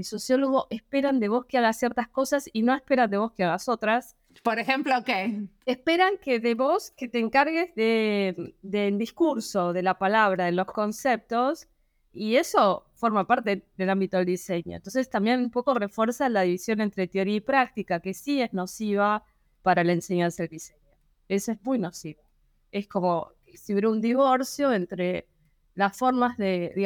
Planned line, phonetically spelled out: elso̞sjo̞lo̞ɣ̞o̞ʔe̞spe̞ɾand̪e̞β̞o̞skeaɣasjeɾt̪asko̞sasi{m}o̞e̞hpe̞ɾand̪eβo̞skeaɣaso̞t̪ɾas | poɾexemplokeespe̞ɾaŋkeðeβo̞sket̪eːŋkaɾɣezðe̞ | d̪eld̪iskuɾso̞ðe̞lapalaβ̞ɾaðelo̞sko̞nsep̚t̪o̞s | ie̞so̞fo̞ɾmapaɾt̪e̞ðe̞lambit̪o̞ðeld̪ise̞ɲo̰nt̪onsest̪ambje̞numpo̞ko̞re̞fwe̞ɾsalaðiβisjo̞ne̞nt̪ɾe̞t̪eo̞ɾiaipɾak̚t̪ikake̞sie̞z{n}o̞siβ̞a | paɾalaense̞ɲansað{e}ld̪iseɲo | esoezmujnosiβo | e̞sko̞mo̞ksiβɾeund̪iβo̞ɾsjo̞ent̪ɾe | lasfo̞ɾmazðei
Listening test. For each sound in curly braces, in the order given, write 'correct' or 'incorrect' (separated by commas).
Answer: incorrect, correct, correct